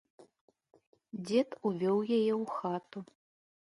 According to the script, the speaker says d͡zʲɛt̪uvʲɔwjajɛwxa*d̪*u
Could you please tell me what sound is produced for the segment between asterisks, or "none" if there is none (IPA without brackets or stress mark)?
t̪